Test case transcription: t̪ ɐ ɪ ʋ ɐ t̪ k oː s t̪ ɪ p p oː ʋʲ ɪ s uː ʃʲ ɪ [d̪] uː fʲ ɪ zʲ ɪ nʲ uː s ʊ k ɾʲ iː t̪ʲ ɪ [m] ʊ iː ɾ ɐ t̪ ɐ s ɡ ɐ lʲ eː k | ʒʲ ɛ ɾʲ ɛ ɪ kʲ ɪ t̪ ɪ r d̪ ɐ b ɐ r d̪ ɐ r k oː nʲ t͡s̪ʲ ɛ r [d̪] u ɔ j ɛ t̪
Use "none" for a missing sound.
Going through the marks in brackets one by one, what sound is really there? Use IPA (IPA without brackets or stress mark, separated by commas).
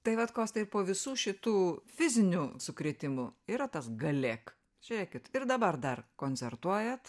t̪, m, t̪